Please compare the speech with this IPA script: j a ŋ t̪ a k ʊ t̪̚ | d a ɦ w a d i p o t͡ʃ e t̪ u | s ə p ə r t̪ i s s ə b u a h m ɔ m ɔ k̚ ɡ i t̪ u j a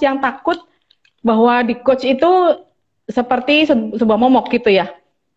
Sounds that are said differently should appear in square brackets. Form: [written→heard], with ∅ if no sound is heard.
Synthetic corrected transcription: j a ŋ t̪ a k ʊ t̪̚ | [d→b] a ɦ w a d i [p→k] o t͡ʃ [e→i] t̪ u | s ə p ə r t̪ i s s ə b u a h m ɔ m ɔ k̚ ɡ i t̪ u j a